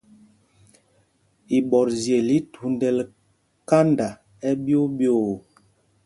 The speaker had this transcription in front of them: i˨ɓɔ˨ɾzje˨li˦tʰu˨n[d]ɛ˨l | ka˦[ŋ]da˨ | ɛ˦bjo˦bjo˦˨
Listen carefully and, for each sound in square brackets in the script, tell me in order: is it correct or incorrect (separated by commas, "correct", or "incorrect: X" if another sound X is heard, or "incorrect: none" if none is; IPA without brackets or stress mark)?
correct, incorrect: n